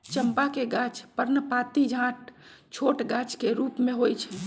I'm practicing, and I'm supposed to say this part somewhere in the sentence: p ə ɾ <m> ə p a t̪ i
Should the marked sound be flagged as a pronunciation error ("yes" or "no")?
yes